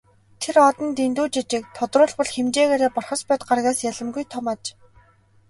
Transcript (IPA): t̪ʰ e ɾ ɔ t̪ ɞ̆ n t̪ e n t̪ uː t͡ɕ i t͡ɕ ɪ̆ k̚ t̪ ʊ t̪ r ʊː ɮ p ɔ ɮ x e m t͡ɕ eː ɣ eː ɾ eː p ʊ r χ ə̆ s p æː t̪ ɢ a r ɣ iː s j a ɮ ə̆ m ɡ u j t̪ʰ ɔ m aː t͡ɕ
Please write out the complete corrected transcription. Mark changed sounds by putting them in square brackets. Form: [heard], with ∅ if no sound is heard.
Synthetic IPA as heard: t̪ʰ e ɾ ɔ t̪ ɞ̆ n t̪ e n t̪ uː t͡ɕ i t͡ɕ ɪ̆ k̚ [t̪ʰ] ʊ t̪ r ʊː ɮ p ɔ ɮ x e m t͡ɕ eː ɣ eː ɾ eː p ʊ r χ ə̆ s p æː t̪ ɢ a r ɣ [aː] s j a ɮ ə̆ m ɡ u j t̪ʰ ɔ m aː t͡ɕ